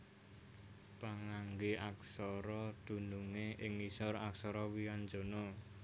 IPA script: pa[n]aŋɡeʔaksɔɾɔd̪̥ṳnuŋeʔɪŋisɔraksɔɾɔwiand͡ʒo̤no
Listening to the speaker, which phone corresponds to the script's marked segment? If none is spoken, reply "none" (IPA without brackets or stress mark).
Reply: ŋ